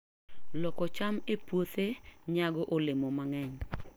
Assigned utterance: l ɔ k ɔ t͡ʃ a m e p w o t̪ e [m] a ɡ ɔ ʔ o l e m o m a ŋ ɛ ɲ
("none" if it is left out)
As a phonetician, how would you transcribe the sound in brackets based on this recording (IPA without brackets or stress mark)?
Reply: ɲ